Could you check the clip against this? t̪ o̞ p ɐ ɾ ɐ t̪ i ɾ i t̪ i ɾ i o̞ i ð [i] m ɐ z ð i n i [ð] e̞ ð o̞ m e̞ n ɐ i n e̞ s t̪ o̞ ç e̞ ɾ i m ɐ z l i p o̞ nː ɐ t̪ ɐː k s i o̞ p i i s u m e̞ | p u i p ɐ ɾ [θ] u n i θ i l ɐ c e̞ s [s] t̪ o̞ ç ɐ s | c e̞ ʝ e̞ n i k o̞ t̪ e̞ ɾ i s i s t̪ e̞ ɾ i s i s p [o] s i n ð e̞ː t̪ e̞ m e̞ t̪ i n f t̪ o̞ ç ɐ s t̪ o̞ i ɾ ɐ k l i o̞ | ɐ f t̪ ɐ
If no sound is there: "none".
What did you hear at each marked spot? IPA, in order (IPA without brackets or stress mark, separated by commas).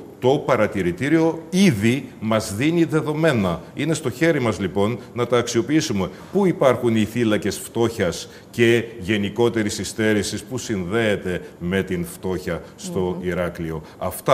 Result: i, ð, x, f, u